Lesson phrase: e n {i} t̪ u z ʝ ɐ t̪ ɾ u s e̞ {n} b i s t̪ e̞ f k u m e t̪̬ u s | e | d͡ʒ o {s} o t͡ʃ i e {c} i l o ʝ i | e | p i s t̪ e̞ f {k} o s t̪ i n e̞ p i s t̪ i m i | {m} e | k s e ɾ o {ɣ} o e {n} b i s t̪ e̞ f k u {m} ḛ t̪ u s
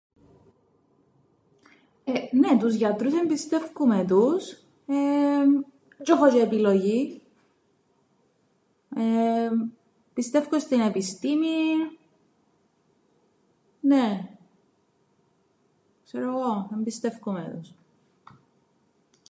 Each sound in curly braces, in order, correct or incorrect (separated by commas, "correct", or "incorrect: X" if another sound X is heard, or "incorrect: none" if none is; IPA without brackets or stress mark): incorrect: e, incorrect: m, incorrect: x, incorrect: p, correct, incorrect: n, correct, incorrect: m, correct